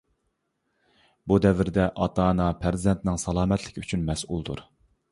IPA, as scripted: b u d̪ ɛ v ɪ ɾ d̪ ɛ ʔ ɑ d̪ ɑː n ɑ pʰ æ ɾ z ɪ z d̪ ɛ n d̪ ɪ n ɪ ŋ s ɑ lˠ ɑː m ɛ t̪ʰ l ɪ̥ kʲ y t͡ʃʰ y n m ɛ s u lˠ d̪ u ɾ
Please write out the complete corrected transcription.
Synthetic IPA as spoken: b u d̪ ɛ v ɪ ɾ d̪ ɛ ʔ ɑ t̪ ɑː n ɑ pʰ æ ɾ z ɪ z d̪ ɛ n t̪ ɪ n ɪ ŋ s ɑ lˠ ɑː m ɛ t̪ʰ l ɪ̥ kʲ y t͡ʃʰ y n m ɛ s u lˠ d̪ u ɾ